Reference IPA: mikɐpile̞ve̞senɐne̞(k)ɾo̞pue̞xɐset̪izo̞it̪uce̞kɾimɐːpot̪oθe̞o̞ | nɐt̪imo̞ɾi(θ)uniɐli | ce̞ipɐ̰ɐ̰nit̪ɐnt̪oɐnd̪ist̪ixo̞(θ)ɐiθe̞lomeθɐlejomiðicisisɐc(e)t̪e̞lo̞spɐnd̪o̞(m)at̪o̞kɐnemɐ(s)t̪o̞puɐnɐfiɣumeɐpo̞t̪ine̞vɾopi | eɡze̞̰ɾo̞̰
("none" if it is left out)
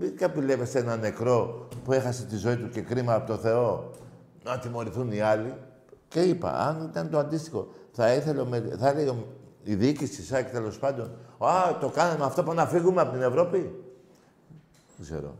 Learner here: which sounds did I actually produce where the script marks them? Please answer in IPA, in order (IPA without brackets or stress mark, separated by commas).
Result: k, θ, θ, e, n, f